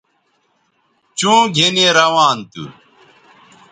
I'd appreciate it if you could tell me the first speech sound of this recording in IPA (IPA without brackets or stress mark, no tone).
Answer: t͡ɕ